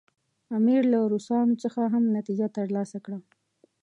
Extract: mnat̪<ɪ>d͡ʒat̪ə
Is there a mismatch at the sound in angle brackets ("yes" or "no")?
yes